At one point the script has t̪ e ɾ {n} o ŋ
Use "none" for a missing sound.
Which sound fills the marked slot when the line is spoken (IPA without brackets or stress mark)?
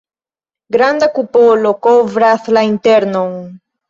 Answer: n